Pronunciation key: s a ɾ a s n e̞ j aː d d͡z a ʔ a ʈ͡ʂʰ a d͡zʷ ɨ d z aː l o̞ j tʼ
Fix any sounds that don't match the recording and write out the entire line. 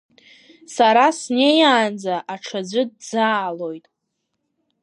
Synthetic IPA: s a ɾ a s n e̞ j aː n d͡z a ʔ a ʈ͡ʂʰ a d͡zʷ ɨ d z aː l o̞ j tʼ

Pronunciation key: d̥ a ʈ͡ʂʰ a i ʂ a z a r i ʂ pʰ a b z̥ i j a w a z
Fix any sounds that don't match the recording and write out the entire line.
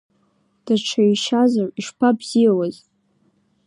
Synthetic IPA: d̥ a ʈ͡ʂʰ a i ʃ a z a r i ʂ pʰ a b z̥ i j a w a z

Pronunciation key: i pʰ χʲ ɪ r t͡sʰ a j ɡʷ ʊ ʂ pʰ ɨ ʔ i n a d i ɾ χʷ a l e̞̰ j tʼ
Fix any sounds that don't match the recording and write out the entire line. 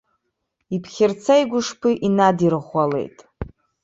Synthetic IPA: i pʰ χʲ ɪ r t͡sʰ a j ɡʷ ʊ ʂ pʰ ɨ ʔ i n a d i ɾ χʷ a l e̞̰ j tʼ

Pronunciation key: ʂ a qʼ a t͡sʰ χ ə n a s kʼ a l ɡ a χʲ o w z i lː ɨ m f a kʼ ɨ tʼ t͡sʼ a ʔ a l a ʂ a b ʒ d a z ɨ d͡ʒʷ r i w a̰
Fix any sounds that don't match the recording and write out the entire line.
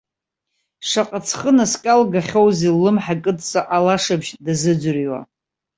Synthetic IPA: ʂ a qʼ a t͡sʰ χ ə n a s kʼ a l ɡ a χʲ o w z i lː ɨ m ħ a kʼ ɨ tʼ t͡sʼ a ʔ a l a ʂ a b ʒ d a z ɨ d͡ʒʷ r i w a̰

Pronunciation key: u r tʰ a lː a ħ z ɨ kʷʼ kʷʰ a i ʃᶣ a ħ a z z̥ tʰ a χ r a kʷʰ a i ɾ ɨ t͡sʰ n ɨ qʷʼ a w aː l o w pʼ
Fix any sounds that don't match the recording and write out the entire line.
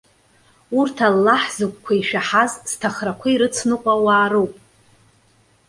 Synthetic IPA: u r tʰ a lː a ħ z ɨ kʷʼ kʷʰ a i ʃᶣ a ħ a z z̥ tʰ a χ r a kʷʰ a i ɾ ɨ t͡sʰ n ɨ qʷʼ a w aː ɾ o w pʼ

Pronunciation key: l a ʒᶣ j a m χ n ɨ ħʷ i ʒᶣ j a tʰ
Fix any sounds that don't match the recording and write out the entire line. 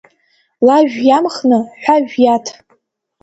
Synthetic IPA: l a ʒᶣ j a m χ n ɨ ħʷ a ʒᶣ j a tʰ

